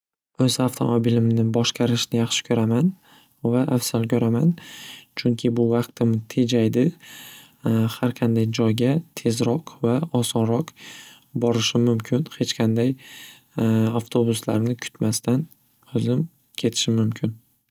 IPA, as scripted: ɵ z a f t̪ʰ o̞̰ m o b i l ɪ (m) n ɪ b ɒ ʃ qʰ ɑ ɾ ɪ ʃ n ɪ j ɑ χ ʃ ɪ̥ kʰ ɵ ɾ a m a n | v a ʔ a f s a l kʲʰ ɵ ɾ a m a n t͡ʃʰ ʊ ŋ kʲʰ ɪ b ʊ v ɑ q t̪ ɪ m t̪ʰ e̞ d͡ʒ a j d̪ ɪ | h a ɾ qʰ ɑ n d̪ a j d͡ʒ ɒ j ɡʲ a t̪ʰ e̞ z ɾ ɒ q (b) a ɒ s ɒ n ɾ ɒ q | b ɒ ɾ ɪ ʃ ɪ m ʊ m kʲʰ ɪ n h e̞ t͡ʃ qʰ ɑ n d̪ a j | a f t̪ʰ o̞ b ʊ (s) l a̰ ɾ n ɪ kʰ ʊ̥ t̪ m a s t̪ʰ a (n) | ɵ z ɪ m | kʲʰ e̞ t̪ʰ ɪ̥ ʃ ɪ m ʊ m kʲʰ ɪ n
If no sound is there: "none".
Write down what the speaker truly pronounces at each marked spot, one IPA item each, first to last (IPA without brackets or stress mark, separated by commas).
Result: m, v, s, n